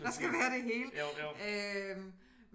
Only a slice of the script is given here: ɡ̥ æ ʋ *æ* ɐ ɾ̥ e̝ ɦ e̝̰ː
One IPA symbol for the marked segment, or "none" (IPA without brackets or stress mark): æː